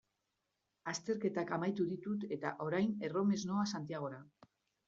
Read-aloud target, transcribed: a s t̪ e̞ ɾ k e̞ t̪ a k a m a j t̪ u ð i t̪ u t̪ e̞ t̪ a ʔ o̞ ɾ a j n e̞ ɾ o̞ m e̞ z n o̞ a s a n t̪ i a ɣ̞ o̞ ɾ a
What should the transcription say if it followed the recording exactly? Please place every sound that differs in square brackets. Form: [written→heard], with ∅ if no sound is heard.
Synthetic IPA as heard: a s t̪ e̞ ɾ k e̞ t̪ a k a m a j t̪ u ð i t̪ u t̪ e̞ t̪ a ʔ o̞ ɾ a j n e̞ [ɾ→r] o̞ m e̞ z n o̞ a s a n t̪ i a ɣ̞ o̞ ɾ a